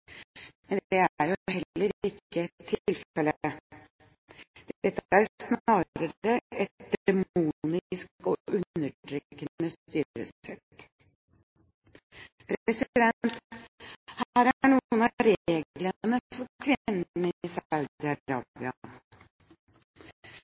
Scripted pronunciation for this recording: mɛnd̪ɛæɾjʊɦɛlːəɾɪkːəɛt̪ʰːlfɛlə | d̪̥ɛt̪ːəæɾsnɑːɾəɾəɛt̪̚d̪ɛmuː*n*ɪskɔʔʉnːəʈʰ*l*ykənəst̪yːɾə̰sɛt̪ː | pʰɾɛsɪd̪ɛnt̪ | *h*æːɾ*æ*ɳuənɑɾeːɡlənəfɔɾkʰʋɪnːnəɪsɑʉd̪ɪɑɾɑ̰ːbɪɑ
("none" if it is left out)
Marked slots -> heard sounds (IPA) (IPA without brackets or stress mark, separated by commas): n, ɾ, h, æ